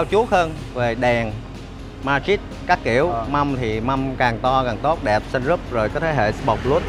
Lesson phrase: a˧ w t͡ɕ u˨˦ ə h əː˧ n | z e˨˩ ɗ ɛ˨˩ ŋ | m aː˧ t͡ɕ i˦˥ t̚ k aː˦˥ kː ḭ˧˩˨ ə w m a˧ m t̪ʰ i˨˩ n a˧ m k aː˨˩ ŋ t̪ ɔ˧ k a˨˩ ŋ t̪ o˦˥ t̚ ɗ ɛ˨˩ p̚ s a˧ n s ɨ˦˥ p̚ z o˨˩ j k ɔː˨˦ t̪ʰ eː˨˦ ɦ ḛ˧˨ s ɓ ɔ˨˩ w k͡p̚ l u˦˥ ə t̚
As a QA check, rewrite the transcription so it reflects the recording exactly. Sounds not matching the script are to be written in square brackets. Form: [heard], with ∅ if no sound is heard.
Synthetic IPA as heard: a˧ w t͡ɕ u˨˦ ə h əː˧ n | [v] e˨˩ ɗ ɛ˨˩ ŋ | m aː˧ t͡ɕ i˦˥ t̚ k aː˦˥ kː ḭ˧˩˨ ə w m a˧ m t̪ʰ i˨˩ [m] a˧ m k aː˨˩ ŋ t̪ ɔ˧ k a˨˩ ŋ t̪ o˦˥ t̚ ɗ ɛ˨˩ p̚ s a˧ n [z] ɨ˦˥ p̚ z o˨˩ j k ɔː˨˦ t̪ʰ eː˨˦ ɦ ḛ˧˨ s ɓ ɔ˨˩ w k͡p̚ l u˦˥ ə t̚